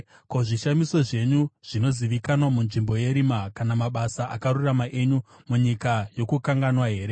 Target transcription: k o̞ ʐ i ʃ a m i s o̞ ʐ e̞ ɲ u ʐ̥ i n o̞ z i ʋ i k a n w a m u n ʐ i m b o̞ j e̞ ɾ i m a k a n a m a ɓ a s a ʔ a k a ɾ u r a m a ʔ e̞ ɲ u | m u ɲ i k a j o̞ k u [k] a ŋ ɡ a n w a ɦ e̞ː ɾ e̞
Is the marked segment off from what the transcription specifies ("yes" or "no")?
no